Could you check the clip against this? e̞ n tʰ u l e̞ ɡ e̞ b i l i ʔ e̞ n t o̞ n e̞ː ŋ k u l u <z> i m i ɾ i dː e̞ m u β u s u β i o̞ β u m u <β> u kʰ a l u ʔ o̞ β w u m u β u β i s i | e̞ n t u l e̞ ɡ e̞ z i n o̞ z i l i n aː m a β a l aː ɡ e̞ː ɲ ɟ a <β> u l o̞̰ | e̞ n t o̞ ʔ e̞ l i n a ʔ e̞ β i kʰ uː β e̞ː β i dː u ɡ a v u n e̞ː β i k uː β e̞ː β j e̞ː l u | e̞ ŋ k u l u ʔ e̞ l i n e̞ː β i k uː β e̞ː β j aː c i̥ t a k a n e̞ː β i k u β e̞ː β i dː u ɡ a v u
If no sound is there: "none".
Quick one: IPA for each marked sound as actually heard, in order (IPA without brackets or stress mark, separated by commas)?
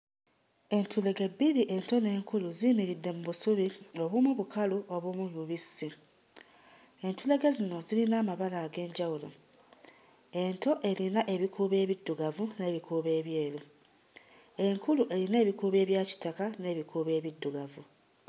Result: z, β, w